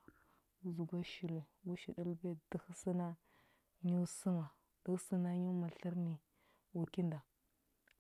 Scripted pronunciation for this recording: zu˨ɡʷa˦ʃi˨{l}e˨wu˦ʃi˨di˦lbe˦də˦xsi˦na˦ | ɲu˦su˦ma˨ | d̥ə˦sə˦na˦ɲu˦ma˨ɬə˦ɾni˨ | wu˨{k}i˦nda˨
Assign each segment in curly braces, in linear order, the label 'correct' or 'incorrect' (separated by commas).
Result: incorrect, correct